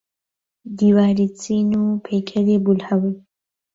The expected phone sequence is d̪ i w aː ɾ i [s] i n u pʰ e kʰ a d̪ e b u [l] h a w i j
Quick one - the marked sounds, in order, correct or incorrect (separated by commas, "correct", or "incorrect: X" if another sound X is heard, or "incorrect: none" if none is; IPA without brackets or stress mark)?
incorrect: t͡s, correct